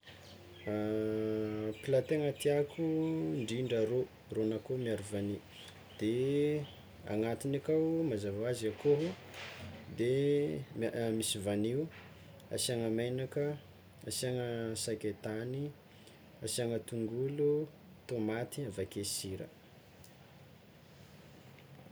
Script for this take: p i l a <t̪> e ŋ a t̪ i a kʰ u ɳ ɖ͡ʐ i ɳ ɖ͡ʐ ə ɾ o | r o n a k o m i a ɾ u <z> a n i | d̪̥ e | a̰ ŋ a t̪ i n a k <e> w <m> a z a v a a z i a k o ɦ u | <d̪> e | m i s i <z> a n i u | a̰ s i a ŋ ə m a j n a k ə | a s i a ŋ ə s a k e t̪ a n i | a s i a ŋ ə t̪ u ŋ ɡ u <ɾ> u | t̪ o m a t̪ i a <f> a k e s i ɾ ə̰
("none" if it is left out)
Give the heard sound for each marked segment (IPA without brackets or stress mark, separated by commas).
t̪, v, a, m, d̪, v, l, v